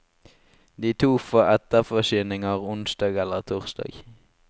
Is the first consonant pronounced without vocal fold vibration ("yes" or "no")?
no